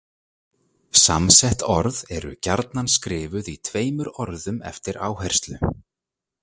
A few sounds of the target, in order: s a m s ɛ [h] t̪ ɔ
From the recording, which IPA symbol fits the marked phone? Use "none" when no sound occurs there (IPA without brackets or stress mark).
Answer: h